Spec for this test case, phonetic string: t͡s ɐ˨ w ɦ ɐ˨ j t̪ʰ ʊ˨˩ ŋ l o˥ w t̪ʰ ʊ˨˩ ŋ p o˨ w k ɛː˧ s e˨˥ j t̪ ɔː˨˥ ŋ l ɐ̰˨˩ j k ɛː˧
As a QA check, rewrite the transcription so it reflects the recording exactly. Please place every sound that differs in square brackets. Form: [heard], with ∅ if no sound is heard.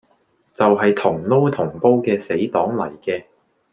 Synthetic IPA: t͡s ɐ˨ w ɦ ɐ˨ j t̪ʰ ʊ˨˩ ŋ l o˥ w t̪ʰ ʊ˨˩ ŋ p [o˥] w k ɛː˧ s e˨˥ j t̪ ɔː˨˥ ŋ l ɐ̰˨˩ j k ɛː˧